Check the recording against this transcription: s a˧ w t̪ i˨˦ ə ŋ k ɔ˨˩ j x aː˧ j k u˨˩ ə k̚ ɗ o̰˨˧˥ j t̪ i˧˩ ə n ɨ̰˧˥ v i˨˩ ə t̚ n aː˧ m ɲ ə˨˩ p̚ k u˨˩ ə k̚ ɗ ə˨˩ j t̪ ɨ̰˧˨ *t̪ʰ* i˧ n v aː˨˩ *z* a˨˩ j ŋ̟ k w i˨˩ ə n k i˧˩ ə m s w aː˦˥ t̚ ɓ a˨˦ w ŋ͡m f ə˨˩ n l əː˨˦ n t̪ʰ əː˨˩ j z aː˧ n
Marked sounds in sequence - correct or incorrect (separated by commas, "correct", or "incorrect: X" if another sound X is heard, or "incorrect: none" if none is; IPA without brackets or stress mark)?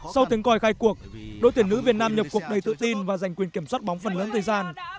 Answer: incorrect: t̪, correct